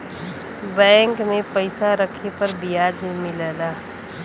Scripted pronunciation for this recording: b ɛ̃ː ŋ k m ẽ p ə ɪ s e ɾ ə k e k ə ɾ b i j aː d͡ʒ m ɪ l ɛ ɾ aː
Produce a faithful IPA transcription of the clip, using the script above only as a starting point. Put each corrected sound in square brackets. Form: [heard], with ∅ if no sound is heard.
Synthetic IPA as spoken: b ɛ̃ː ŋ k m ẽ p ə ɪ s [a] ɾ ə [kʰ] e [p] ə ɾ b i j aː d͡ʒ m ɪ l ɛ [l] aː